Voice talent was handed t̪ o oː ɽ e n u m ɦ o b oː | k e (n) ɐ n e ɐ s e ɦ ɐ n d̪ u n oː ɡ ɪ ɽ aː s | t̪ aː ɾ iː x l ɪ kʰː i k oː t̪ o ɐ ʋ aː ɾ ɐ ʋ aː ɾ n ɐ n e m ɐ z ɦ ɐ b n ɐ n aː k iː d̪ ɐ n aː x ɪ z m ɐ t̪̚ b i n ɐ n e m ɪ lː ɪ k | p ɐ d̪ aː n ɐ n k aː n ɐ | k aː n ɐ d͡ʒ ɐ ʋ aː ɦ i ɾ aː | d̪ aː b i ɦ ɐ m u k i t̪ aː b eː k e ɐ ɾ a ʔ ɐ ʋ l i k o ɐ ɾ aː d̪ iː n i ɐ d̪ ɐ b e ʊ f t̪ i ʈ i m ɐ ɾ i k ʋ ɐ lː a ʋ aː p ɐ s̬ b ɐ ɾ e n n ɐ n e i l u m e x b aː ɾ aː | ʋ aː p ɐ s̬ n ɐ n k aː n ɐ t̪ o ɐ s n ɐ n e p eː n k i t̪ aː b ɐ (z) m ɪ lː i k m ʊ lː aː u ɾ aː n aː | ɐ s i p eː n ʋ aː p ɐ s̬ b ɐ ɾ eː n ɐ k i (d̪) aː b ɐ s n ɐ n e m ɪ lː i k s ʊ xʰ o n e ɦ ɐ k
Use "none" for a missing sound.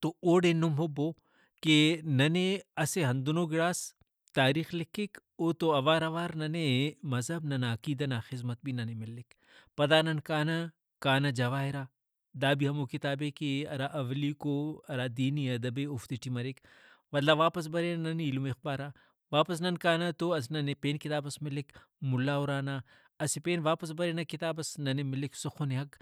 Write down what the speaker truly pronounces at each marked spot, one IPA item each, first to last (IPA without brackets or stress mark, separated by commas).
n, s, t̪